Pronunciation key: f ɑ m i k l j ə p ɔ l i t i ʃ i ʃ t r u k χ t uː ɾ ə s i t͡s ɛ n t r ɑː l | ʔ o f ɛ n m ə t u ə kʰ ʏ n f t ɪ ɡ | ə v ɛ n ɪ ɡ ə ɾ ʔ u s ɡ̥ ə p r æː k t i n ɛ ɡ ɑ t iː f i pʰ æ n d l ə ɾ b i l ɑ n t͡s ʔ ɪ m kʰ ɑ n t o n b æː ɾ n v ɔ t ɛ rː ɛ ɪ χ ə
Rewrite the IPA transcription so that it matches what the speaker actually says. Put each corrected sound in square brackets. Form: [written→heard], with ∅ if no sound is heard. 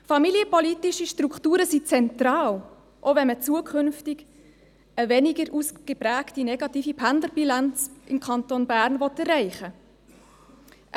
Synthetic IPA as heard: f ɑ m i [k→∅] l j ə p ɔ l i t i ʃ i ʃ t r u k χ t uː ɾ ə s i t͡s ɛ n t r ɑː l | ʔ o [f→v] ɛ n m ə [t→t͡s] u ə kʰ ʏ n f t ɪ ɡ | ə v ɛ n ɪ ɡ ə ɾ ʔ u s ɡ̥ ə p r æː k t i n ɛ ɡ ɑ t iː f i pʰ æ n d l ə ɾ b i l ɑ n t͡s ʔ ɪ m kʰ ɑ n t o n b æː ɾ n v ɔ t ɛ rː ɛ ɪ χ ə